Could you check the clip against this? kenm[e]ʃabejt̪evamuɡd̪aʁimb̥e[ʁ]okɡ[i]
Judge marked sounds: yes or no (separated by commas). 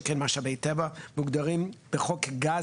no, no, no